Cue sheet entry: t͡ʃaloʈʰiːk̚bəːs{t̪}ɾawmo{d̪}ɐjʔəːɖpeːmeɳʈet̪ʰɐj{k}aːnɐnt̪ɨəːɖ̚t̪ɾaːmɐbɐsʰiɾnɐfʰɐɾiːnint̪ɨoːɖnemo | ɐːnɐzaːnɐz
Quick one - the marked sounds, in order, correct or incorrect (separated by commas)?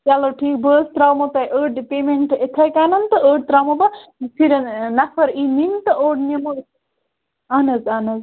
correct, incorrect, correct